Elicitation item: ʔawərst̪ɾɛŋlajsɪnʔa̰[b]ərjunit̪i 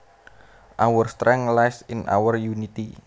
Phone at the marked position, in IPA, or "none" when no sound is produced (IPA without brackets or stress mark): w